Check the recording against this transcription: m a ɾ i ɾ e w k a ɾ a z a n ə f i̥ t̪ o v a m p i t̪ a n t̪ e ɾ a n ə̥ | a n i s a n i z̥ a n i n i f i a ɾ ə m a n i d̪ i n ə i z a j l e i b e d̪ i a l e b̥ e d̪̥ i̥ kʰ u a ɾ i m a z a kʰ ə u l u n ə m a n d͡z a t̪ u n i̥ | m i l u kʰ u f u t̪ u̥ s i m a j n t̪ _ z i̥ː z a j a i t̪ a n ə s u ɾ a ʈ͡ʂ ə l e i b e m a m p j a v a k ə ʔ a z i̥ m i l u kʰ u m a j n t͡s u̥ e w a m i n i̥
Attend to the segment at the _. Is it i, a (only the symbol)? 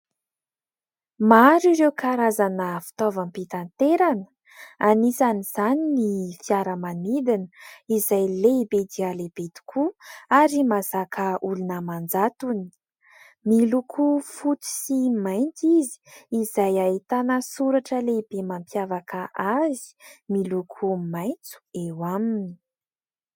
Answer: i